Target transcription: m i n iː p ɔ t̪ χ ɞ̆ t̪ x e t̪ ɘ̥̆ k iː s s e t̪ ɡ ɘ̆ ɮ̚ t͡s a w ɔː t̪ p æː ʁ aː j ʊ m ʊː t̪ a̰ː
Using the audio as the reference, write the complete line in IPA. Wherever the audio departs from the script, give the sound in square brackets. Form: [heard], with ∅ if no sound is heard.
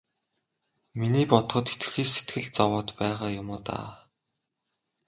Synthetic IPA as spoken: m i n iː p ɔ t̪ χ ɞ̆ t̪ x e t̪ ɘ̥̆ [x] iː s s e t̪ ɡ ɘ̆ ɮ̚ t͡s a w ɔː t̪ p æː ʁ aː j ʊ m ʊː t̪ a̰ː